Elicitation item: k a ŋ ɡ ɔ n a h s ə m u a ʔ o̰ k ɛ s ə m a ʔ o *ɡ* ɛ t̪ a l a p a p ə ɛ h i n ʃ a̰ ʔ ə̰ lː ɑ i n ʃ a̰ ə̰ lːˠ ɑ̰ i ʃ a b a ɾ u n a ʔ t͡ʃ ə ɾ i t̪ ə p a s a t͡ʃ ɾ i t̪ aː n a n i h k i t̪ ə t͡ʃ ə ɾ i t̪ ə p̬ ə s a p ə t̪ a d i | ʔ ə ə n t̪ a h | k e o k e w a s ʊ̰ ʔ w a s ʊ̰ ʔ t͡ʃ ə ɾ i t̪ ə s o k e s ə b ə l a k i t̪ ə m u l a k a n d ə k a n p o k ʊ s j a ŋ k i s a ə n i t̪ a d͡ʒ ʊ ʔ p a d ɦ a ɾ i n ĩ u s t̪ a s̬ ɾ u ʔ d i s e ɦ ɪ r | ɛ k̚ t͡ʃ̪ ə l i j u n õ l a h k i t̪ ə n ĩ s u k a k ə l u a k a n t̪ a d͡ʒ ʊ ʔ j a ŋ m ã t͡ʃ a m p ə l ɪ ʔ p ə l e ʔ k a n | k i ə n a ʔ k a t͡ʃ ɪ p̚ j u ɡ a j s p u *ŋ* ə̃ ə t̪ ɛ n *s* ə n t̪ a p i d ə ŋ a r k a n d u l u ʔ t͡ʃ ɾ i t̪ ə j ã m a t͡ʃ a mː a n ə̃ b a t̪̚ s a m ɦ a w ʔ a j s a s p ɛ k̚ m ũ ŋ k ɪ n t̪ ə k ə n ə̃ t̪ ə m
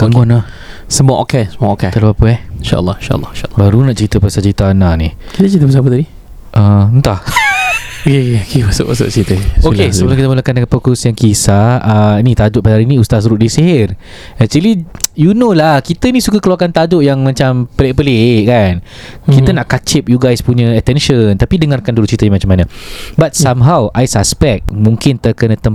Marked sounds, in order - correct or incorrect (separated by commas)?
incorrect, incorrect, incorrect